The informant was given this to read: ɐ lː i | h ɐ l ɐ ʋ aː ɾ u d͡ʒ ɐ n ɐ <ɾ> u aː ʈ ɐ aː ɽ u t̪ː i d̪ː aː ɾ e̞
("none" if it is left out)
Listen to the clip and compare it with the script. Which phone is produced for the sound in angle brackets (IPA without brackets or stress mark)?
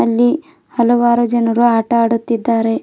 ɾ